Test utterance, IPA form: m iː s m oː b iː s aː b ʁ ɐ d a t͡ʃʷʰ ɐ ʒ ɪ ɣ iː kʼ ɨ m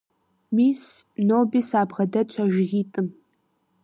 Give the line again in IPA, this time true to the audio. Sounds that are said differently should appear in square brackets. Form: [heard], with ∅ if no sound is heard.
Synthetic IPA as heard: m iː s [n] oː b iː s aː b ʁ ɐ d [ɐ] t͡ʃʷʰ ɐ ʒ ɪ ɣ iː [tʼ] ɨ m